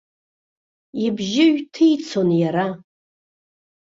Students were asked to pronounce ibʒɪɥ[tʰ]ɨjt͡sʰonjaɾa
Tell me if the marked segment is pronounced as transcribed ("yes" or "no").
yes